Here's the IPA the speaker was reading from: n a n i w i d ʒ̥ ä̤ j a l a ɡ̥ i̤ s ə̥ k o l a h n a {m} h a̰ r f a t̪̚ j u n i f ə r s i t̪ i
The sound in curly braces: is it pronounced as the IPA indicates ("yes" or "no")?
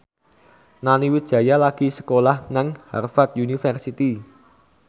no